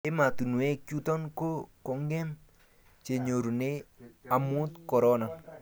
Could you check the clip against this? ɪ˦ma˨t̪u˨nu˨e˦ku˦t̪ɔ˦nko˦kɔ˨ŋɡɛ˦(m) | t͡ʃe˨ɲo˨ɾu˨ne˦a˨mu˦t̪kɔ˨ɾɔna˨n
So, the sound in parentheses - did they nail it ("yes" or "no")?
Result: yes